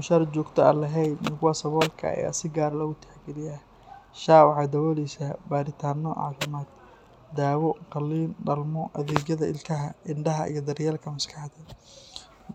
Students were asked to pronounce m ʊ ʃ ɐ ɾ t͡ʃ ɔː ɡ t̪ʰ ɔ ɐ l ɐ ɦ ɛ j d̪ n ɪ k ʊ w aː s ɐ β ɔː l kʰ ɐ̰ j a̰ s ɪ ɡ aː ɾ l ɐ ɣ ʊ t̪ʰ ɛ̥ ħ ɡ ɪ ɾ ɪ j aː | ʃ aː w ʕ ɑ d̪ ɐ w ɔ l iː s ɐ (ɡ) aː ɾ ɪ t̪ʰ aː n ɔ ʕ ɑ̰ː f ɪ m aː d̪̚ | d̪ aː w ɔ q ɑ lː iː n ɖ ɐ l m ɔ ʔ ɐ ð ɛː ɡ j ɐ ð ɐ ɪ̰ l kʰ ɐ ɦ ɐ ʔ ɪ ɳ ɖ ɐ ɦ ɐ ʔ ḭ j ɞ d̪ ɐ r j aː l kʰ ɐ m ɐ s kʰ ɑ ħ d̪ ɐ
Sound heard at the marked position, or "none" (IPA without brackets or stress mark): b